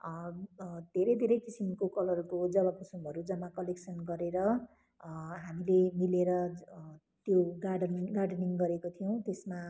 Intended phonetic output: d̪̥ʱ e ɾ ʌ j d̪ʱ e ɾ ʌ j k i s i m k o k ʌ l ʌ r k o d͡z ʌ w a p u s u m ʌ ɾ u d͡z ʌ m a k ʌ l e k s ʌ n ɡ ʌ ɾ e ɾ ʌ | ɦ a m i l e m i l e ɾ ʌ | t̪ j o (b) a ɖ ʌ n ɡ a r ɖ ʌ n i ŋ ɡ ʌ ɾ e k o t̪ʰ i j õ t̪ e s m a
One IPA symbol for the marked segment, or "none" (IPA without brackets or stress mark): ɡ